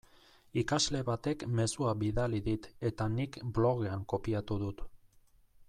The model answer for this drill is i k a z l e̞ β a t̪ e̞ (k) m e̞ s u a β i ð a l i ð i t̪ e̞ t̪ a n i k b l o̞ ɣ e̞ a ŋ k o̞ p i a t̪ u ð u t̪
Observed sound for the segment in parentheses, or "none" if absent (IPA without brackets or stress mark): k